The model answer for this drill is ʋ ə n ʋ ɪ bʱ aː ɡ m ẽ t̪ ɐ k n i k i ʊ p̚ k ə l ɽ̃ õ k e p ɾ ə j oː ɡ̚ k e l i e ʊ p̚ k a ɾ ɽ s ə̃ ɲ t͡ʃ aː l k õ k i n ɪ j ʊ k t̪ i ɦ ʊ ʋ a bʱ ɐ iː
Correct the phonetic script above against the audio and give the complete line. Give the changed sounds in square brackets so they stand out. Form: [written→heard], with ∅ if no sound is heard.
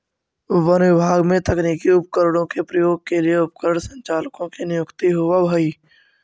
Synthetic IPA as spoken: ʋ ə n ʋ ɪ bʱ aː ɡ m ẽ t̪ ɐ k n i k i ʊ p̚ k ə [l→ɾ] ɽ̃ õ k e p ɾ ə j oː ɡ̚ k e l i e ʊ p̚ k [a→ə] ɾ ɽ s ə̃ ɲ t͡ʃ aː l k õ k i n ɪ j ʊ k t̪ i ɦ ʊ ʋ a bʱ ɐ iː